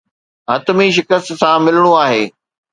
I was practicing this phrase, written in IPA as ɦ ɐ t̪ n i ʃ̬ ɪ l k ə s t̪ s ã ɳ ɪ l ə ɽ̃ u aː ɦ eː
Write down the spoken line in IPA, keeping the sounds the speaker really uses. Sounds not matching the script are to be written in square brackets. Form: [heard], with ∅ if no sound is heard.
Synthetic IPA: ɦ ɐ t̪ [m] i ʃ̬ ɪ [∅] k ə s t̪ s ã [m] ɪ l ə ɽ̃ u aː ɦ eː